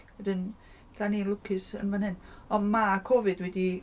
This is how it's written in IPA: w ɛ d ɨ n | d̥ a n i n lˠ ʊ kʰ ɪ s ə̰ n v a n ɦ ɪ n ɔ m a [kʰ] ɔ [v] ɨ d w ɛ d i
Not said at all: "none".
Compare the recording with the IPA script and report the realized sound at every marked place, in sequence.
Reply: kʰ, v

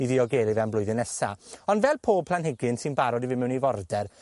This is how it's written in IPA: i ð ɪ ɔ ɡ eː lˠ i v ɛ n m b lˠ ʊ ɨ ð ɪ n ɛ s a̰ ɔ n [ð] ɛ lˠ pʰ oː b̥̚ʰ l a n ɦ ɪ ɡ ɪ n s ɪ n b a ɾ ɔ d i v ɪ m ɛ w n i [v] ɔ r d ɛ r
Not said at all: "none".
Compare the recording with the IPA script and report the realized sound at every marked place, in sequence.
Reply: v, v

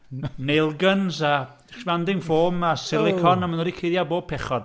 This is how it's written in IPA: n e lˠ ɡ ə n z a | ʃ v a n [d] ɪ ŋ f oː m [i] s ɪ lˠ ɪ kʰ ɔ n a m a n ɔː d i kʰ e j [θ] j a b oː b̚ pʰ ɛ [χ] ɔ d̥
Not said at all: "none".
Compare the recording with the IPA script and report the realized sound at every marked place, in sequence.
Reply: d, a, ð, χ

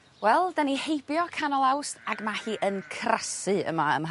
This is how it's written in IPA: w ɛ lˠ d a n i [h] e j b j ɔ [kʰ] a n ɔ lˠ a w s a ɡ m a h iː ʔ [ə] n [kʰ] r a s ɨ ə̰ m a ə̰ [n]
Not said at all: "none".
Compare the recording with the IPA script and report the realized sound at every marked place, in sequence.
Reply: h, kʰ, ə, kʰ, m

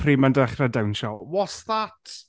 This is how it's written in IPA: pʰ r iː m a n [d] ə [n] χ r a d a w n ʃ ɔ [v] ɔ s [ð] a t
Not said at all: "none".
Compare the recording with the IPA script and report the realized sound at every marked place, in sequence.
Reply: d, none, w, ð

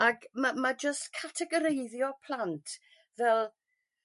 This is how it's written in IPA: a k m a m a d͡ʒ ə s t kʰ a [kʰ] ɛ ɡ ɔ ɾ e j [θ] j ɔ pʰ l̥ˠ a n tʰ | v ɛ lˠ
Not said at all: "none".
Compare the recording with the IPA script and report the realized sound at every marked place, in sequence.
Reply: tʰ, ð

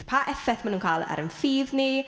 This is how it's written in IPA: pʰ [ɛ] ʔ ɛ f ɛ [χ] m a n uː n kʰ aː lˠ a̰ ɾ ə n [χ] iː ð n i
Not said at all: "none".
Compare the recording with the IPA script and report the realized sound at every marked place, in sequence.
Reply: a, θ, f

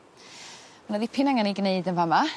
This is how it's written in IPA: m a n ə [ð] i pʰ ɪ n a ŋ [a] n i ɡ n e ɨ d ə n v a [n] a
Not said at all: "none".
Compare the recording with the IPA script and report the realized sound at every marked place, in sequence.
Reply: ð, a, m

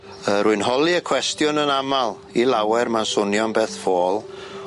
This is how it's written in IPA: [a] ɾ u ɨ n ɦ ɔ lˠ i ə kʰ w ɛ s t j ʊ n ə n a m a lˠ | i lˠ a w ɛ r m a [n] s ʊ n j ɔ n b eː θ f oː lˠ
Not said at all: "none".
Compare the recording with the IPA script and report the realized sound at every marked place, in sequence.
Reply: ə, n

